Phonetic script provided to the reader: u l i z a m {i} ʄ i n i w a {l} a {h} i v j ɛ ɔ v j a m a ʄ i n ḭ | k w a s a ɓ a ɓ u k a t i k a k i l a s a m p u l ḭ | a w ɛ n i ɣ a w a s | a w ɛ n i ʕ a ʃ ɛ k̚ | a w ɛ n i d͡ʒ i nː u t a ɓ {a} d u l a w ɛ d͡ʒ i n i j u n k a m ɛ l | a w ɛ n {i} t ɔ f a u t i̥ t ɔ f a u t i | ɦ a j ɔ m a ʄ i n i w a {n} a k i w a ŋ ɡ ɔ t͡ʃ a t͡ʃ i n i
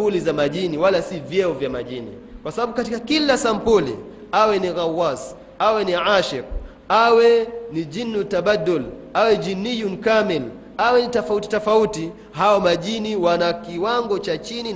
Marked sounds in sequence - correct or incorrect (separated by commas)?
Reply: incorrect, correct, incorrect, correct, correct, correct